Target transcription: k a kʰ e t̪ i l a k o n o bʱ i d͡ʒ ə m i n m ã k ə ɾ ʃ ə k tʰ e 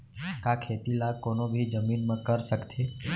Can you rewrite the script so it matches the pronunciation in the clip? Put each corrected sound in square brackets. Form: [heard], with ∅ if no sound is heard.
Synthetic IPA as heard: k a kʰ e t̪ i l a k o n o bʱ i d͡ʒ ə m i n m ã k ə ɾ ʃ ə k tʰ e